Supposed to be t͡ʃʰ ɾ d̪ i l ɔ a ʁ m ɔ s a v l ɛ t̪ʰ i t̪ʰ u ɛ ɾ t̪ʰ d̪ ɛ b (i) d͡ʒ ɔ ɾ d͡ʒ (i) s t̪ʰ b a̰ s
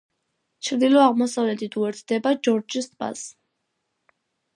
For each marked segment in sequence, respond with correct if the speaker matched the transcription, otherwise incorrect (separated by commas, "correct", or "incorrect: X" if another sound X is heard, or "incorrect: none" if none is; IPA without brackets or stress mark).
incorrect: a, correct